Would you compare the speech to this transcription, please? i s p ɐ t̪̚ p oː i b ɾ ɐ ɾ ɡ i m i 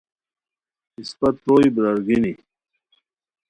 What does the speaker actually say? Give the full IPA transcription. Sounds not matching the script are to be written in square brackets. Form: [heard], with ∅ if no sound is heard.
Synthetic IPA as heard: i s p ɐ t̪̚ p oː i b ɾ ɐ ɾ ɡ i [n] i